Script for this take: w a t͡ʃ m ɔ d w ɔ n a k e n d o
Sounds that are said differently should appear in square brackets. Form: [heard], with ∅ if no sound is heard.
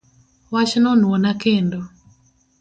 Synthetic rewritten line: w a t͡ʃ [n] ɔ [n] w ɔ n a k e n d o